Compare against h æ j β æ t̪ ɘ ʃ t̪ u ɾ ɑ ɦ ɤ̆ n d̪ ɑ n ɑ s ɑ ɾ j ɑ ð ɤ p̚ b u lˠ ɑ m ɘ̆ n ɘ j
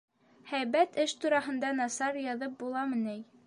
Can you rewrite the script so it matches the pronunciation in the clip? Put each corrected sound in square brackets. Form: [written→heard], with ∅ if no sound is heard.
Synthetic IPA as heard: h æ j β æ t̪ ɘ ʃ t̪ u ɾ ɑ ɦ ɤ̆ n d̪ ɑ n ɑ s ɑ ɾ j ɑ ð ɤ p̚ b u lˠ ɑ m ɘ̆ n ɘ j